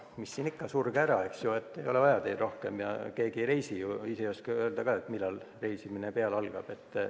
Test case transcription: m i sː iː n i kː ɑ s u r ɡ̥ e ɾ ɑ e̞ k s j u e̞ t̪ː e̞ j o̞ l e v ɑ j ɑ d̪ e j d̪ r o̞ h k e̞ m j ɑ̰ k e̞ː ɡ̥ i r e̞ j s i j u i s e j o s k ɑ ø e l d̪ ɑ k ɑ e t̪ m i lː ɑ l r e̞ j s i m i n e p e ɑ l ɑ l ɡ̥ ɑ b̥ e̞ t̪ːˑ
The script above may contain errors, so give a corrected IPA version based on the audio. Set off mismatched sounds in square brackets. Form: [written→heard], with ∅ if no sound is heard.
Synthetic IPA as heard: m i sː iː n i kː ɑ s u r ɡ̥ [e→æ] ɾ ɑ e̞ k s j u e̞ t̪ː e̞ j o̞ l e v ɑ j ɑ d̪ e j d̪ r o̞ h k e̞ m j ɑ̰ k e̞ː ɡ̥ i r e̞ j s i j u i s e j o s k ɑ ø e l d̪ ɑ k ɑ e t̪ m i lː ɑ l r e̞ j s i m i n e p e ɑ l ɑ l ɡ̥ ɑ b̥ e̞ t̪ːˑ